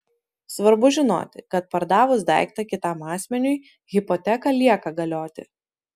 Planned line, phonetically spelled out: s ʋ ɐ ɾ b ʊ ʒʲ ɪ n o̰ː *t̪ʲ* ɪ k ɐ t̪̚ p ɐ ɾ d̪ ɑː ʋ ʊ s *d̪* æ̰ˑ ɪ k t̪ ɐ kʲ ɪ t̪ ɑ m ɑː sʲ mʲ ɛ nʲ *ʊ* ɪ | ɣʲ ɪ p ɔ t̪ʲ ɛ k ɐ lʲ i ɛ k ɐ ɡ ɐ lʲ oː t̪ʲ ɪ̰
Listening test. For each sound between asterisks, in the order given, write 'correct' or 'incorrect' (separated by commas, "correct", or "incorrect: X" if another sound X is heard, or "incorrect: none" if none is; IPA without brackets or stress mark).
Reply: correct, correct, correct